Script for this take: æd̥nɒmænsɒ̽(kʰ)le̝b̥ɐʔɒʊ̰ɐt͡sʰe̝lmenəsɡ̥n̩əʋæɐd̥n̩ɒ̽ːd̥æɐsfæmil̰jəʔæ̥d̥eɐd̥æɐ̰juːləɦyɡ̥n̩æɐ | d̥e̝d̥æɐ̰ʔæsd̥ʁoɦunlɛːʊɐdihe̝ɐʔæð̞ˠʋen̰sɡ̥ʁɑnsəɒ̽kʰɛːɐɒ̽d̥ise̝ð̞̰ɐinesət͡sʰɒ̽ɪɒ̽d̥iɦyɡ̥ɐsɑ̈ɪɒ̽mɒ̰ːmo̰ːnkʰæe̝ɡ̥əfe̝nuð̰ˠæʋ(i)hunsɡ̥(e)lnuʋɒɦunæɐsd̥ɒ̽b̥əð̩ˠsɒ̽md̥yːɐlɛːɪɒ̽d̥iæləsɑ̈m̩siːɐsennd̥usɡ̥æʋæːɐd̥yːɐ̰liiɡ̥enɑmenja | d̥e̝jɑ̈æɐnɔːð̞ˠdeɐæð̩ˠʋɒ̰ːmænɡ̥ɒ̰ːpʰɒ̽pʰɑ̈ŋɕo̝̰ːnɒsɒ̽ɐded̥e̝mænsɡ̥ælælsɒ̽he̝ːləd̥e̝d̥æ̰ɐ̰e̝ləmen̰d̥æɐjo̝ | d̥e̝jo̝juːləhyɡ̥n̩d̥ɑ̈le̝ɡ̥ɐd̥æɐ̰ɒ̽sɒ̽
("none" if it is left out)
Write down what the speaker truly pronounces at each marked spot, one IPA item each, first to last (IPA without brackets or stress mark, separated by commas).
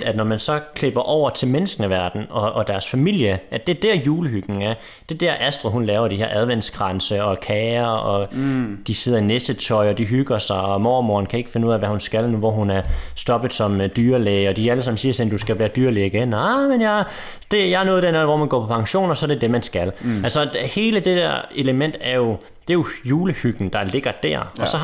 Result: kʰ, æ, æ